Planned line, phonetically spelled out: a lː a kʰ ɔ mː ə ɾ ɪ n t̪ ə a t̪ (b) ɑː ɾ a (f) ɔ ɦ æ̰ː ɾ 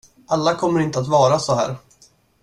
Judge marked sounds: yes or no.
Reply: no, no

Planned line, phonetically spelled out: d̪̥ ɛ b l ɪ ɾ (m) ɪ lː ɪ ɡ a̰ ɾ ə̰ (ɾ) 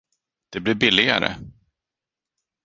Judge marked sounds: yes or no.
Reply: no, no

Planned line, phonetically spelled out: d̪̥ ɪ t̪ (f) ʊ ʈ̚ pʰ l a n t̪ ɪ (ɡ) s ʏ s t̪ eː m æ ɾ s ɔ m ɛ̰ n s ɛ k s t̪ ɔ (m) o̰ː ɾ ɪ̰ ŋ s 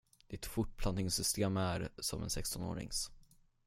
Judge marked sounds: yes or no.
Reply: yes, no, no

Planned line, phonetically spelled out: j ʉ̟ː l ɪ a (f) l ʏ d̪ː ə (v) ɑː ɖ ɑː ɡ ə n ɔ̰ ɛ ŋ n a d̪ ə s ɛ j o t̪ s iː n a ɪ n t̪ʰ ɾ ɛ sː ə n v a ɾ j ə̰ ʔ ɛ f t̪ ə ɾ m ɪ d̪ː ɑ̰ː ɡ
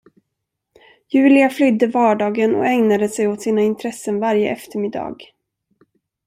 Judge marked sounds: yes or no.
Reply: yes, yes

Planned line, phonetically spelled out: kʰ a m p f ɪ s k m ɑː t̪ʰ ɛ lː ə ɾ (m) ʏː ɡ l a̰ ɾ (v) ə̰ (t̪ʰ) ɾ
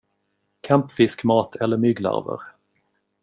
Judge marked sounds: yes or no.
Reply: yes, yes, no

